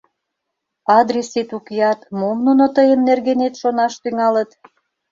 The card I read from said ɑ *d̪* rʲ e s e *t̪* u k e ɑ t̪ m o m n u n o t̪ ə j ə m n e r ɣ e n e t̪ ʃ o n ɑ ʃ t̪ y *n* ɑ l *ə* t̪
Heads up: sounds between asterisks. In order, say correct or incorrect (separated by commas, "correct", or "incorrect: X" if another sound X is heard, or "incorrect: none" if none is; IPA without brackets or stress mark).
correct, correct, incorrect: ŋ, correct